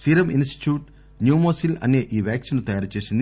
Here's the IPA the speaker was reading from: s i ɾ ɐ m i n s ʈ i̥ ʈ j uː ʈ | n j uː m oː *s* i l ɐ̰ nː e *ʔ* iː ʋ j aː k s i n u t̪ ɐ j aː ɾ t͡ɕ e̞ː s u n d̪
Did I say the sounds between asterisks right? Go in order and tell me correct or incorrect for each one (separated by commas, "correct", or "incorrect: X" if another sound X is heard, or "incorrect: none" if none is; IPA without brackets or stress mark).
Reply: correct, correct